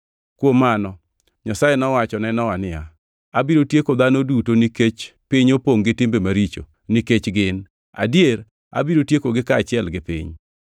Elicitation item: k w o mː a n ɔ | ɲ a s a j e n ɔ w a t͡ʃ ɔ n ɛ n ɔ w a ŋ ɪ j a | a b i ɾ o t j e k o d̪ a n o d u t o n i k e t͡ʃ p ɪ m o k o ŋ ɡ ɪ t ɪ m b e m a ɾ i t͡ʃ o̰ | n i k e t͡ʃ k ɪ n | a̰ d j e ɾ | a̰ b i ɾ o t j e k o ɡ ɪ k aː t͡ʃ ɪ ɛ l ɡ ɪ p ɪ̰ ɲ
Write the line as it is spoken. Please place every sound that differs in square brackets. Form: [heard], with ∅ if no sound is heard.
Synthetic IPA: k w o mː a n ɔ | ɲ a s a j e n ɔ w a t͡ʃ ɔ n ɛ n ɔ w a [n] ɪ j a | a b i ɾ o t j e k o d̪ a n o d u t o n i k e t͡ʃ p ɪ [ɲ] o [p] o ŋ ɡ ɪ t ɪ m b e m a ɾ i t͡ʃ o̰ | n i k e t͡ʃ [ɡ] ɪ n | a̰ d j e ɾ | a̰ b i ɾ o t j e k o ɡ ɪ k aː t͡ʃ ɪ ɛ l ɡ ɪ p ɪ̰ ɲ